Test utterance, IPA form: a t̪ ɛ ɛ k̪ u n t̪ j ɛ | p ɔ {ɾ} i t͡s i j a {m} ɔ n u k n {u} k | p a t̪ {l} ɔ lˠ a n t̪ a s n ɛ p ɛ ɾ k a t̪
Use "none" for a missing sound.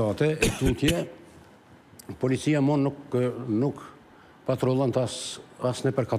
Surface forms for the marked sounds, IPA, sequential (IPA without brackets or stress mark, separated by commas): l, m, u, ɾ